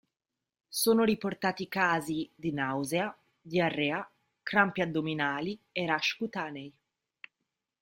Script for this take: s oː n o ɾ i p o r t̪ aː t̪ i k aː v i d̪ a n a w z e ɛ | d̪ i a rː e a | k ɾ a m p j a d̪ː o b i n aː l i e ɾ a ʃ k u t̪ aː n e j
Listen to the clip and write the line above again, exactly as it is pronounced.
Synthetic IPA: s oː n o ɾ i p o r t̪ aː t̪ i k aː z i d̪ i n a w z e a | d̪ i a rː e a | k ɾ a m p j a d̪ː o m i n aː l i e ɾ a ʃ k u t̪ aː n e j